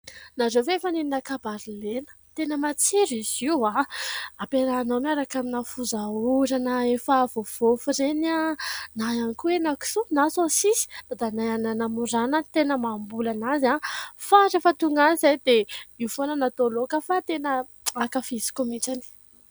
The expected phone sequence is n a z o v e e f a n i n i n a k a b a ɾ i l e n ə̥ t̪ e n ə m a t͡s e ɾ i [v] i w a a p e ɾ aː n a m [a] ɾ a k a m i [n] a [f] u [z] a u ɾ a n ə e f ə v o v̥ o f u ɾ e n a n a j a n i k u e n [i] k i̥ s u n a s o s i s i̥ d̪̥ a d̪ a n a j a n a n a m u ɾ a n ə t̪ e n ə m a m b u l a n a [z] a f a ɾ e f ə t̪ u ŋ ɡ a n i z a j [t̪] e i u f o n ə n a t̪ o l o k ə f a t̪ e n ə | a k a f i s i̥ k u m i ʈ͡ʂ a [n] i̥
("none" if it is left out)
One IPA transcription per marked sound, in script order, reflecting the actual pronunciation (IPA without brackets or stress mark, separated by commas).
z, a, n, f, z, a, z, d̪, n